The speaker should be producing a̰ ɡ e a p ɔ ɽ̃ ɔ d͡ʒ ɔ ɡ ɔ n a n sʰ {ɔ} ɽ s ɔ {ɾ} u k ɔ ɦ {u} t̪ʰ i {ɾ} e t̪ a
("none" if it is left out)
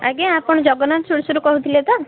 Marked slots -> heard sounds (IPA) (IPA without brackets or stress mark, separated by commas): u, ɾ, u, l